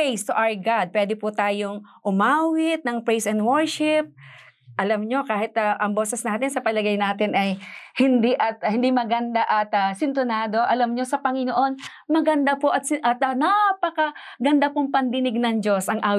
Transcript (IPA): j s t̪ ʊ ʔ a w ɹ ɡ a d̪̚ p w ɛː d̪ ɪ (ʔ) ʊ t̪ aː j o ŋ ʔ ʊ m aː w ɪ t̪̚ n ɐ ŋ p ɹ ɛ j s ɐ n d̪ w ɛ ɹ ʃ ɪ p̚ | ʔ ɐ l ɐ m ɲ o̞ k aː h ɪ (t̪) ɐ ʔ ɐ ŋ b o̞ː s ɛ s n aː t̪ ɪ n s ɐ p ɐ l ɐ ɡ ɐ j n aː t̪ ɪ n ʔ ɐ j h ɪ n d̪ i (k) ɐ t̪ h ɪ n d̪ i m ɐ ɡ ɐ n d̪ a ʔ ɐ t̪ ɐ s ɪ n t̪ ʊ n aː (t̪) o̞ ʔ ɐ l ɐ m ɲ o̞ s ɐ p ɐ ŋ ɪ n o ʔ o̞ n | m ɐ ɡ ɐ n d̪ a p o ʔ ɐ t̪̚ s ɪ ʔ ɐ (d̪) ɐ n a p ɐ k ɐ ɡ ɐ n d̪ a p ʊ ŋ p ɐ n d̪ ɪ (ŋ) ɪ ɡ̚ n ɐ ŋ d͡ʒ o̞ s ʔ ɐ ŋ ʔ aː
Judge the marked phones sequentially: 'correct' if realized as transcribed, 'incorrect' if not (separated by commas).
incorrect, correct, incorrect, incorrect, incorrect, incorrect